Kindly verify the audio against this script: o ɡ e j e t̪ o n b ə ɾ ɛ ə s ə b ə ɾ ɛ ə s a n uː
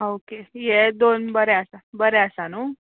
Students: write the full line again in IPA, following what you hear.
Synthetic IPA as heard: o k e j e d̪ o n b ə ɾ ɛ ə s a b ə ɾ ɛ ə s a n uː